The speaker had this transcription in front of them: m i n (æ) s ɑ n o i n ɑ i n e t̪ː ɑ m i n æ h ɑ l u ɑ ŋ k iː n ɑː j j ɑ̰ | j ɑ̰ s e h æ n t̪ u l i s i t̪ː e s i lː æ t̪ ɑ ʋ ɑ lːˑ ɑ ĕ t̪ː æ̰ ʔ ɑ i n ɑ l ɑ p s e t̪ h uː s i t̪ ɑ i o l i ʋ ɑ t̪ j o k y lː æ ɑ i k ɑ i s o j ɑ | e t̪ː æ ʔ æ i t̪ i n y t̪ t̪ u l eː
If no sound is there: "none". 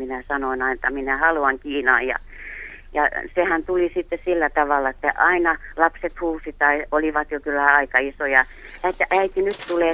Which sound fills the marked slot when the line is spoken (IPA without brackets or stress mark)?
æ